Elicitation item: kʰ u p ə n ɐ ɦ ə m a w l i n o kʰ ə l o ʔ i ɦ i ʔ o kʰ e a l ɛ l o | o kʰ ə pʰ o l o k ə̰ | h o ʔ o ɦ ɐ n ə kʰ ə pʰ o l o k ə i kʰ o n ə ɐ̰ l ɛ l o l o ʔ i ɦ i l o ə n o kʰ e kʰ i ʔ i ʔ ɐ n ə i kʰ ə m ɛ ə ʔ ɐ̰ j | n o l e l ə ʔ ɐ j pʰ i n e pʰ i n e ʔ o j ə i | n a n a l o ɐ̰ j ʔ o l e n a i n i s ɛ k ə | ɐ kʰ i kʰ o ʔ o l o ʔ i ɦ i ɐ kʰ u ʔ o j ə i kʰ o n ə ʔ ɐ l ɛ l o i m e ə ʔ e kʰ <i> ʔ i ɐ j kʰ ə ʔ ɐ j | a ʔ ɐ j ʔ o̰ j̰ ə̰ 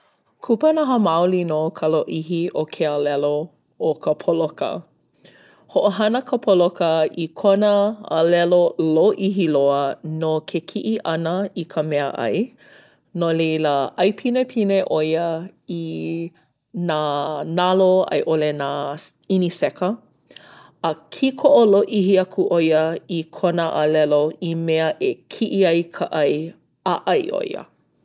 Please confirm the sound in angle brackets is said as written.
yes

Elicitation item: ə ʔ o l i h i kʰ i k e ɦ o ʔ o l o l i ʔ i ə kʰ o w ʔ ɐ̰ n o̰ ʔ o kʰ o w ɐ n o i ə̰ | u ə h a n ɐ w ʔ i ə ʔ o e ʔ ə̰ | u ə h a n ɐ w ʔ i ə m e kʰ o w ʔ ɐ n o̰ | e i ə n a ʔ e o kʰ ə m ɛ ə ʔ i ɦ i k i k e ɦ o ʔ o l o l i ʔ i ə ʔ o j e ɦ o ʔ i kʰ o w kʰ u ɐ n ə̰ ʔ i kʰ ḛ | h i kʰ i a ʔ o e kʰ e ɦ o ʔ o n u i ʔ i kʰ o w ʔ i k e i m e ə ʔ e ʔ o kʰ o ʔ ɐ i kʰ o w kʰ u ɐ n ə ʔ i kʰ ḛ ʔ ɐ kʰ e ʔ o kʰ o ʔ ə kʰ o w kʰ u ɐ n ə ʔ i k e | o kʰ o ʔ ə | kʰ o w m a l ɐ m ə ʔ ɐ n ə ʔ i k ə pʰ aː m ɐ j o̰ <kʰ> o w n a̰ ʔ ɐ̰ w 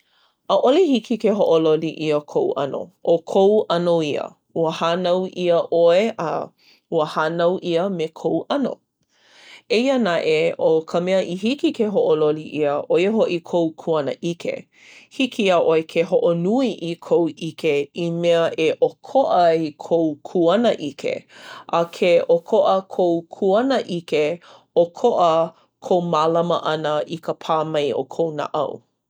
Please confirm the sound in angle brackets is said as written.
yes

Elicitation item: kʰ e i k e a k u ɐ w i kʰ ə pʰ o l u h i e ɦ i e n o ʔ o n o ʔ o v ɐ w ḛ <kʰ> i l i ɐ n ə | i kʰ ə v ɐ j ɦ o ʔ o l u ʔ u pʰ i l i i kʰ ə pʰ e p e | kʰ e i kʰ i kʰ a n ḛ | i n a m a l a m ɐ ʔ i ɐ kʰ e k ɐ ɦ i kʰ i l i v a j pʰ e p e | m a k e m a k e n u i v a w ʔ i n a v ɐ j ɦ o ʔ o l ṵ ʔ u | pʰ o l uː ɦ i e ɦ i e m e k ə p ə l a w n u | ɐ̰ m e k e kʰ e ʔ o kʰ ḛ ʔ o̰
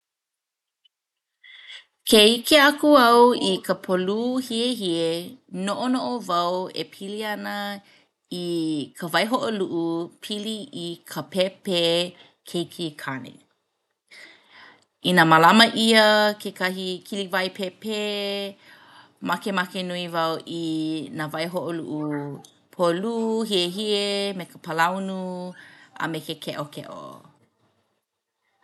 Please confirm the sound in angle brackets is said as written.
no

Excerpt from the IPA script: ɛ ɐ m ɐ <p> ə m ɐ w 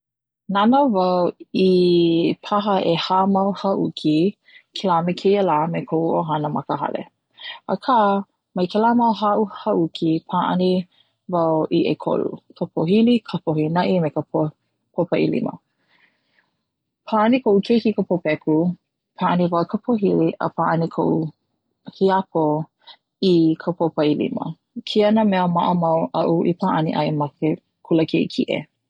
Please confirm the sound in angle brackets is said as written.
no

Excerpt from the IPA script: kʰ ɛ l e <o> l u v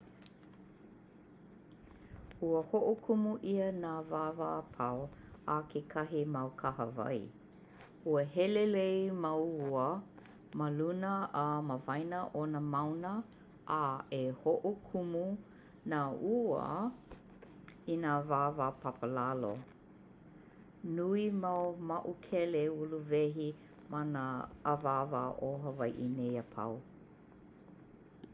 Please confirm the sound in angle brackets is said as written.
no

